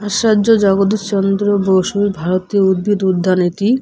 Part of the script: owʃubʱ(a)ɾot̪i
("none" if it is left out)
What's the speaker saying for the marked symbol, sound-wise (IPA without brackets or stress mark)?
a